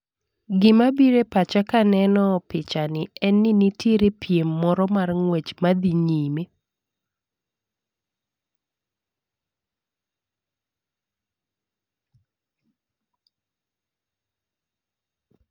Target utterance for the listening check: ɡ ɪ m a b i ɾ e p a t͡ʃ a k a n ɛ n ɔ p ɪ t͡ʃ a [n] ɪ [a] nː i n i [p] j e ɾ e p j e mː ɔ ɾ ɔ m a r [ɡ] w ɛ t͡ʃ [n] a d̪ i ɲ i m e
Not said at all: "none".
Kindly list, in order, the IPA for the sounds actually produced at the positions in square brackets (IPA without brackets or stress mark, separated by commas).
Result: n, ɛ, t, ŋ, m